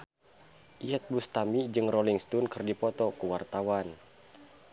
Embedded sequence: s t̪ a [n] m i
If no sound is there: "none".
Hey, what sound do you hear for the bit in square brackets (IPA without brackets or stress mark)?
none